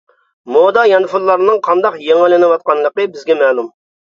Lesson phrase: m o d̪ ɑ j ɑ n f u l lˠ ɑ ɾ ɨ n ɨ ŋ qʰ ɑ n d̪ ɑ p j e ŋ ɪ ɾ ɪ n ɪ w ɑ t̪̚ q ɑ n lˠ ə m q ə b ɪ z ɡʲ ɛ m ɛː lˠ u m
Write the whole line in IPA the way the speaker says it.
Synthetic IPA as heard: m o d̪ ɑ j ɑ n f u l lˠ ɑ ɾ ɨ n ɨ ŋ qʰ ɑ n d̪ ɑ q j e ŋ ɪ l ɪ n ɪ w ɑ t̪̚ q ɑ n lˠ ə q ə b ɪ z ɡʲ ɛ m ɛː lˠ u m